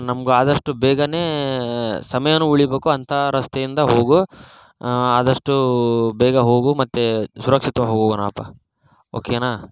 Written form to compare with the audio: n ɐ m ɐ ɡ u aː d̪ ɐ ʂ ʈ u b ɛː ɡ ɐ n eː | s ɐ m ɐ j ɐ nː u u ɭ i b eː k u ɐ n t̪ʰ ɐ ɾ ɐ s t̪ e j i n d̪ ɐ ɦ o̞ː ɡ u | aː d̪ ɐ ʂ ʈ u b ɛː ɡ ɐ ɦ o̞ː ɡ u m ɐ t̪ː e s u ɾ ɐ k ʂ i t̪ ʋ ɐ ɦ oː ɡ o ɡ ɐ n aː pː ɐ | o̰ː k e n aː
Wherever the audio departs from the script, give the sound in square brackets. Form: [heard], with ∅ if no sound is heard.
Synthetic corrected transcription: n ɐ m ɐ ɡ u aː d̪ ɐ ʂ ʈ u b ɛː ɡ ɐ n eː | s ɐ m ɐ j ɐ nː u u ɭ i b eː k u ɐ n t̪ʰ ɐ ɾ ɐ s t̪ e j i n d̪ ɐ ɦ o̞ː ɡ u | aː d̪ ɐ ʂ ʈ u b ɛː ɡ ɐ ɦ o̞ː ɡ u m ɐ t̪ː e s u ɾ ɐ k ʂ i t̪ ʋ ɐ ɦ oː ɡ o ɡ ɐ n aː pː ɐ | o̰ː k e n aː

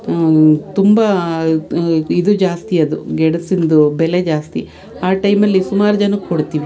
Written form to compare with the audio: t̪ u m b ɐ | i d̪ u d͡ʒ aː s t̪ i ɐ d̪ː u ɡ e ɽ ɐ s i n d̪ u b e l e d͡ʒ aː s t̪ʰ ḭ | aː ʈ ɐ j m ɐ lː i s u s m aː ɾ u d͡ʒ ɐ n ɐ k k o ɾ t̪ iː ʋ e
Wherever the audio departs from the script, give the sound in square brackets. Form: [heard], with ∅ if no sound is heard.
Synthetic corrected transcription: t̪ u m b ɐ | i d̪ u d͡ʒ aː s t̪ i ɐ [d̪] u ɡ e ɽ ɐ s i n d̪ u b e l e d͡ʒ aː s [t̪] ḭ | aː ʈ ɐ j m ɐ lː i s u [∅] m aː ɾ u d͡ʒ ɐ n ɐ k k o [ɽ] t̪ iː ʋ [i]

